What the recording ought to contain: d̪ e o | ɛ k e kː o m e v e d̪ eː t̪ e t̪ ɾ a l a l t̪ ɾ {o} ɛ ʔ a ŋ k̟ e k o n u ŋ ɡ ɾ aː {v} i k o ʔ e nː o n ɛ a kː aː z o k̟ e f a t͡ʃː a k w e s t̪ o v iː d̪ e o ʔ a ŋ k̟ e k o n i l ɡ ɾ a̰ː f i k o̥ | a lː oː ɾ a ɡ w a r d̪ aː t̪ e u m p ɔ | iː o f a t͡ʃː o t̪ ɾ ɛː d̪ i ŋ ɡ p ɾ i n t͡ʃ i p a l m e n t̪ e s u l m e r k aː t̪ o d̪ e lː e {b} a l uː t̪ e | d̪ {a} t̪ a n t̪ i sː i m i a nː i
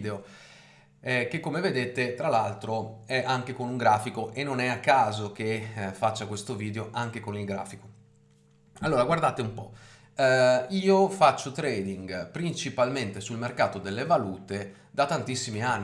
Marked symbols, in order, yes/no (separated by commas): yes, no, no, yes